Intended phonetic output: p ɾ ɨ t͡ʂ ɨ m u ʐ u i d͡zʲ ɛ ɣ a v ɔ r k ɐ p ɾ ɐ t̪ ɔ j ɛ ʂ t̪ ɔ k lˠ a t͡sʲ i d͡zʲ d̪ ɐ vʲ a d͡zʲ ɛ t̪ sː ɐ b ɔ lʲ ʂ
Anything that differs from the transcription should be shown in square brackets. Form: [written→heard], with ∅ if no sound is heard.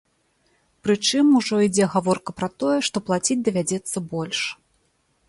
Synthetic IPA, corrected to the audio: p ɾ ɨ t͡ʂ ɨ m u ʐ [u→ɔ] i d͡zʲ ɛ ɣ a v ɔ r k ɐ p ɾ ɐ t̪ ɔ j ɛ ʂ t̪ ɔ [k→p] lˠ a t͡sʲ i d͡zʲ d̪ ɐ vʲ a d͡zʲ ɛ t̪ sː ɐ b ɔ lʲ ʂ